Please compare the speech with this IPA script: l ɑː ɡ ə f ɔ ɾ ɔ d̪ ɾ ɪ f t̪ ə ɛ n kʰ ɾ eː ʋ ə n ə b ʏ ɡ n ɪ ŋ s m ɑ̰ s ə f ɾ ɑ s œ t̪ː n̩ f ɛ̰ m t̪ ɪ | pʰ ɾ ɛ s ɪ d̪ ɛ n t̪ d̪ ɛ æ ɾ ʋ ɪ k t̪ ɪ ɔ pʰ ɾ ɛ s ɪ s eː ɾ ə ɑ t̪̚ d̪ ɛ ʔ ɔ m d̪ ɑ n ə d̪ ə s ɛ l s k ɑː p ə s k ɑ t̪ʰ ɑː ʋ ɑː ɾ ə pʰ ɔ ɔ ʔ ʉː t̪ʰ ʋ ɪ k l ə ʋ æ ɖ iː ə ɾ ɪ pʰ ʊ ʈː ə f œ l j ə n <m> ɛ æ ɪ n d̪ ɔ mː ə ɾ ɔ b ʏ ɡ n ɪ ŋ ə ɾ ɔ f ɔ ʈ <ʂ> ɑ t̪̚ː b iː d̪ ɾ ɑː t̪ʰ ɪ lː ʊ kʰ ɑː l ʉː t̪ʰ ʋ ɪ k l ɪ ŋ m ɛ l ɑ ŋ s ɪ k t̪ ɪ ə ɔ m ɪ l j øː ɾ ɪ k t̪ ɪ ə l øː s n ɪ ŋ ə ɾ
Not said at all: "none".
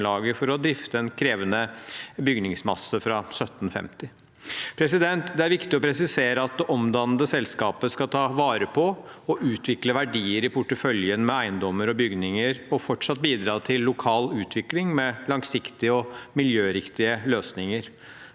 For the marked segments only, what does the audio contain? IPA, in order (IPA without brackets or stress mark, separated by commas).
m, ʂ